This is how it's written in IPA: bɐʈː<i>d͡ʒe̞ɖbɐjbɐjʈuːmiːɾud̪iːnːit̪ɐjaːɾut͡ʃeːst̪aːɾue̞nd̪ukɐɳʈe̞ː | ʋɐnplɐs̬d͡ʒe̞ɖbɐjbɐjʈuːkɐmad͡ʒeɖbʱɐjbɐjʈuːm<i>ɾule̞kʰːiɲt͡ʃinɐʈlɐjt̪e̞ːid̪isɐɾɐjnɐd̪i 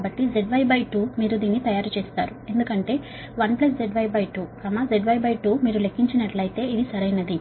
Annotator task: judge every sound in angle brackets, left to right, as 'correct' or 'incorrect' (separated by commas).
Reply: correct, incorrect